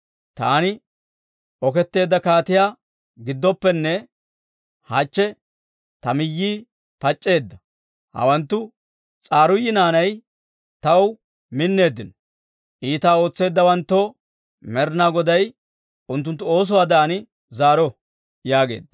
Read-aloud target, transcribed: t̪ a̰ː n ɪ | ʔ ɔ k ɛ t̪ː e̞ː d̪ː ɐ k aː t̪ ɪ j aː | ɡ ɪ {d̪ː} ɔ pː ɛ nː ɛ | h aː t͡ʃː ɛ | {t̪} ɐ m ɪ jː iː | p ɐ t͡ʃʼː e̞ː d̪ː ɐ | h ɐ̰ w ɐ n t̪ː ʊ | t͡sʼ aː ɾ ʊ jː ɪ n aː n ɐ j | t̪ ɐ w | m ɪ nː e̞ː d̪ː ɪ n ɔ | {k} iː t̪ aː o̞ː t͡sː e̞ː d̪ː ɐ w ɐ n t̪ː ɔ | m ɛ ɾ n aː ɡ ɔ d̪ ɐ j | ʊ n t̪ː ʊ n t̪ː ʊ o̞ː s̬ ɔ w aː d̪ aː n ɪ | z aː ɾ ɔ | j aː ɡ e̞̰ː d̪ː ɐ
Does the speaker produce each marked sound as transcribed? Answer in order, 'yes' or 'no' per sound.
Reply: yes, yes, no

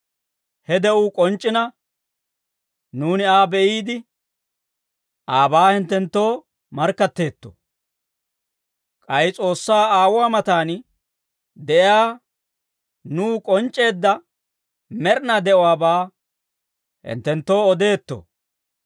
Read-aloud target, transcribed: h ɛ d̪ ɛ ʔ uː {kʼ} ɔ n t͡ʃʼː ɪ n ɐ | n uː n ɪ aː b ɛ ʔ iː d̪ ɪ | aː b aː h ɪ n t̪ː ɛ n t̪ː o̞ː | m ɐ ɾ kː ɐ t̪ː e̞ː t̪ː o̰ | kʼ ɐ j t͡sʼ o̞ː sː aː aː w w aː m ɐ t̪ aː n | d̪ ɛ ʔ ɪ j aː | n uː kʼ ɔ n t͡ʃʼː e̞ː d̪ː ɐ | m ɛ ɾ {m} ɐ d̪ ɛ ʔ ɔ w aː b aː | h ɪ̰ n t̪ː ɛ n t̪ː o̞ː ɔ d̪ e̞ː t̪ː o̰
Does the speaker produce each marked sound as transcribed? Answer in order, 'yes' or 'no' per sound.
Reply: yes, no

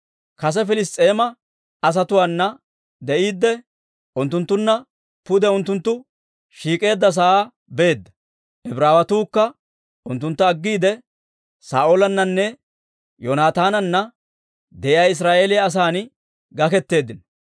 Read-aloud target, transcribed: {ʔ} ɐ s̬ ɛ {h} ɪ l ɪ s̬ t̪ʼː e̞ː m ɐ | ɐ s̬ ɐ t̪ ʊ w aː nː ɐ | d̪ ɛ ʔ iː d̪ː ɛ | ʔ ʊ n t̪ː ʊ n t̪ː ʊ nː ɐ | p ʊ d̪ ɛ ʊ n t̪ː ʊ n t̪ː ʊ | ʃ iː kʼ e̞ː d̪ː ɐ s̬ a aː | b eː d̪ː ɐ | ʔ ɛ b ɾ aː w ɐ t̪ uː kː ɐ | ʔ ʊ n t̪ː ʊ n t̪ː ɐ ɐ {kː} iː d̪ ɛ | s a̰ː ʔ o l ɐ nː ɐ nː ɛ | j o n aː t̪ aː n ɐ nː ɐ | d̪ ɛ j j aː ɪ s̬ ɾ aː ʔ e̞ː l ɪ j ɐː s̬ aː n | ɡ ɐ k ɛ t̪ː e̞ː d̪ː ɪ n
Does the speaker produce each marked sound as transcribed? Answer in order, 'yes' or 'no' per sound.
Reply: no, no, no

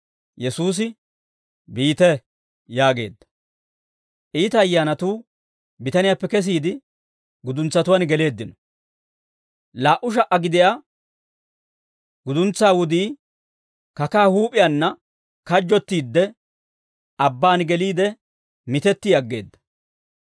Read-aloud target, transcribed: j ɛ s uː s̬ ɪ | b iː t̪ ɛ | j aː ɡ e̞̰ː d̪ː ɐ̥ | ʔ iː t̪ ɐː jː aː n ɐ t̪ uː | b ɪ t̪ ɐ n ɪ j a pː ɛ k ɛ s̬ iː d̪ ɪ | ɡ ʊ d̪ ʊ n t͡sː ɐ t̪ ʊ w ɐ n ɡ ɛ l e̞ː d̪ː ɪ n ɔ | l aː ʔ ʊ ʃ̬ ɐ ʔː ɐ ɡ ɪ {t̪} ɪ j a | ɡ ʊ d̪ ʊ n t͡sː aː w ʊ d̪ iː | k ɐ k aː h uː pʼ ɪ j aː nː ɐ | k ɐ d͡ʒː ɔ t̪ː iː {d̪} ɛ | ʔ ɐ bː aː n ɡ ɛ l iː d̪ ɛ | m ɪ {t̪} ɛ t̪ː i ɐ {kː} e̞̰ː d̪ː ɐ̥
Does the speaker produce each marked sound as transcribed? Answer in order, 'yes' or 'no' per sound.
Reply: no, no, yes, no

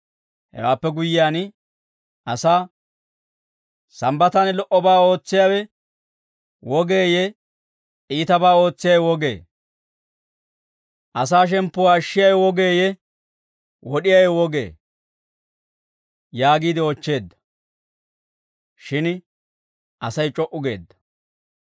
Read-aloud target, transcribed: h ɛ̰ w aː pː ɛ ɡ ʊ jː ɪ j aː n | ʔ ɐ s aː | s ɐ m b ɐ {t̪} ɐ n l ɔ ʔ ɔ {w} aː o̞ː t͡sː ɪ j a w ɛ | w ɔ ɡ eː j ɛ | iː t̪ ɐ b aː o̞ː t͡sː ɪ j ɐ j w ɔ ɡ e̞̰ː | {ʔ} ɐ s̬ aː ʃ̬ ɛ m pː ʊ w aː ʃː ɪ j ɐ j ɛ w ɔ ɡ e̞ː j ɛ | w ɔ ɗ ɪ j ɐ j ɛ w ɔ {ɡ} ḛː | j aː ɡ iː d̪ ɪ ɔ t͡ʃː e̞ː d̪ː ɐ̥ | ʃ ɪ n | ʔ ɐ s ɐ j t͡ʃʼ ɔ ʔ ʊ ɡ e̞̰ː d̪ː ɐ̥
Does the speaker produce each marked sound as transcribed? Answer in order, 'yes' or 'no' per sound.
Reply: yes, no, yes, yes

